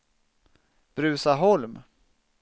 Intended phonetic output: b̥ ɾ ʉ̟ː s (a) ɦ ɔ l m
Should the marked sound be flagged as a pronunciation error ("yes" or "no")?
no